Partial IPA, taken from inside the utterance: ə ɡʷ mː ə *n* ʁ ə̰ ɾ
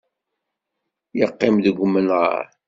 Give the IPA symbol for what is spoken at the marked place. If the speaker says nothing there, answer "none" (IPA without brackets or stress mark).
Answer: n